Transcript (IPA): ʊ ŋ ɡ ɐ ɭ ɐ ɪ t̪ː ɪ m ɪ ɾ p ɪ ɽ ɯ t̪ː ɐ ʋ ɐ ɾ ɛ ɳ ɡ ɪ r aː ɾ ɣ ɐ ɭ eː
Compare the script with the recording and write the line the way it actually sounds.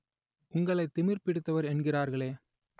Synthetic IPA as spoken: ʊ ŋ ɡ ɐ ɭ ɐ ɪ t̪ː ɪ m ɪ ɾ p ɪ ɽ ɯ t̪ː ɐ ʋ ɐ ɾ ɛ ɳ ɡ ɪ r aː ɾ ɣ ɐ ɭ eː